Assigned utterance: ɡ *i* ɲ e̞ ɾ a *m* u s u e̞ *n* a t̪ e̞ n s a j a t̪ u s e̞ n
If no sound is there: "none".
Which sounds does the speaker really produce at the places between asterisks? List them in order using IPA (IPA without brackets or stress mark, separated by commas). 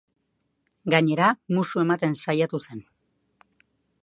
a, m, m